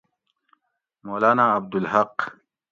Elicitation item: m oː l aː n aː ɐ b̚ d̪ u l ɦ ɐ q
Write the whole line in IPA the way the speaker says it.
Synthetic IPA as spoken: m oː l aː n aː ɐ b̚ d̪ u l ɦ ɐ q